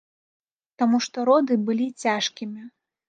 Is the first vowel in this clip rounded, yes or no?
no